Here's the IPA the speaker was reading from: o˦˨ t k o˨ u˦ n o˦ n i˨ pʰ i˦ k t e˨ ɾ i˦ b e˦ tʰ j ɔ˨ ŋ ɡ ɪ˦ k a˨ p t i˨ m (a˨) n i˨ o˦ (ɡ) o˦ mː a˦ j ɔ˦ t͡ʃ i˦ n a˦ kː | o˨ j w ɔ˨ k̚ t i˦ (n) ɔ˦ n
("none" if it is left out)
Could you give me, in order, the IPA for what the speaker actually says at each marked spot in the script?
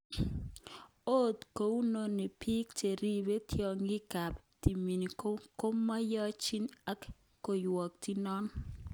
i˨, k, n

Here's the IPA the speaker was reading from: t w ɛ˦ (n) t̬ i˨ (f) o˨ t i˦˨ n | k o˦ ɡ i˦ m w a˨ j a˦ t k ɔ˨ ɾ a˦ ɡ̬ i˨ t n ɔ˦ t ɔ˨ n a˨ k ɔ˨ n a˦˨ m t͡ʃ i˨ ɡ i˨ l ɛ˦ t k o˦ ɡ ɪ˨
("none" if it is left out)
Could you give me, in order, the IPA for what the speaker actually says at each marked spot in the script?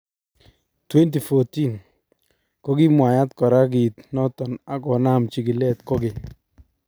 n, f

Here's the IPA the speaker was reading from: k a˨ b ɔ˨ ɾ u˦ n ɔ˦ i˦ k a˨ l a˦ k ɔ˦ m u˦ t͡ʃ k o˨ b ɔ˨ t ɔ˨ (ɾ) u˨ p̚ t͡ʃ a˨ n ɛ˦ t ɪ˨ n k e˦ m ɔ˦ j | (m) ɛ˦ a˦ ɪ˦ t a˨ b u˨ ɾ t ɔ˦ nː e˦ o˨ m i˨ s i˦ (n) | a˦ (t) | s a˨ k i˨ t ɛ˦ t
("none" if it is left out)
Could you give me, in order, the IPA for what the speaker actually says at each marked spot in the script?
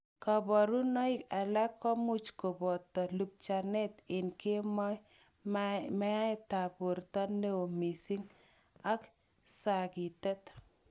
l, m, ŋ, k

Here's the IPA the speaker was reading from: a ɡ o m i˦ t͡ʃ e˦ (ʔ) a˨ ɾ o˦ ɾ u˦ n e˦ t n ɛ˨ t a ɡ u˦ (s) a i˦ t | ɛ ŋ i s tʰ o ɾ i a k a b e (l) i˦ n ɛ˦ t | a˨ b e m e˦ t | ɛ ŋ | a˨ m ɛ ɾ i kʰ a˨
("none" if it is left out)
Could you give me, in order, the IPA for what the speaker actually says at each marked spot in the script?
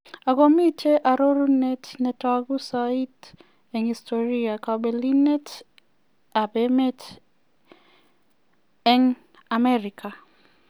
ʔ, s, l

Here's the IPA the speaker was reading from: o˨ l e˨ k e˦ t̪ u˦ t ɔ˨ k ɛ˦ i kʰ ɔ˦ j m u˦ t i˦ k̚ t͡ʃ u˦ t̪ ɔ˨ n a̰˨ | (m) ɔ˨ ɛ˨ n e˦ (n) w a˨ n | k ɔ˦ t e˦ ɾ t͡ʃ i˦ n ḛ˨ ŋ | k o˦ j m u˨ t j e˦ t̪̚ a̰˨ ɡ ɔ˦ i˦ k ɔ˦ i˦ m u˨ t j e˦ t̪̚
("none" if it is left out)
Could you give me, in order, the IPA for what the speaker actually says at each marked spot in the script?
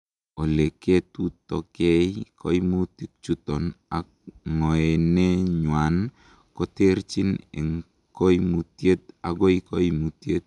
ŋ, ɲ

